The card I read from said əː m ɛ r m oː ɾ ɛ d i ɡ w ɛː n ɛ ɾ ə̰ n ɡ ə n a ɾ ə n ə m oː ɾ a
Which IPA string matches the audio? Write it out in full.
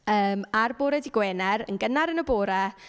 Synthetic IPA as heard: əː m a r b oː ɾ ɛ d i ɡ w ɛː n ɛ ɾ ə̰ n ɡ ə n a ɾ ə n ə b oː ɾ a